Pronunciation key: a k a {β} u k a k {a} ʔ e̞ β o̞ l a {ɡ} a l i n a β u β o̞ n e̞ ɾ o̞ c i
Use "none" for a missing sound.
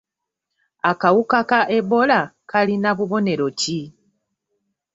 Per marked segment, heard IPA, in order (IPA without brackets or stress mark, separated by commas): w, a, k